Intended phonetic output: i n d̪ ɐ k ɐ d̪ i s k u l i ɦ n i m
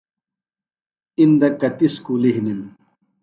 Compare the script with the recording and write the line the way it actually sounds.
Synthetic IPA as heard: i n d̪ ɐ k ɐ t̪ i s k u l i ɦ n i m